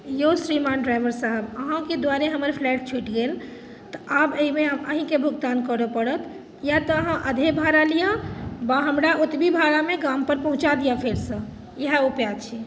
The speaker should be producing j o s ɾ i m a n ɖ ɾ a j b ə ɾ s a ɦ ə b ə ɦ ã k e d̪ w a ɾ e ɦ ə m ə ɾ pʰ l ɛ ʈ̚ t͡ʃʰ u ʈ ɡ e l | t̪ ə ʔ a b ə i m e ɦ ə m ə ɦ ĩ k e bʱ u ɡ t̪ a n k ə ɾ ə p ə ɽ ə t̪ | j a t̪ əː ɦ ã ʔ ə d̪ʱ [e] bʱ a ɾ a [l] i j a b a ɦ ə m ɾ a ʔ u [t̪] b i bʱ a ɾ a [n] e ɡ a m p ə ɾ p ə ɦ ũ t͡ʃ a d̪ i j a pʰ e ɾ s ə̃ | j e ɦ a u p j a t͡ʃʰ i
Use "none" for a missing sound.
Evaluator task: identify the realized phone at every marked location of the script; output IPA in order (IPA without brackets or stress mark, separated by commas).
e, l, t̪, m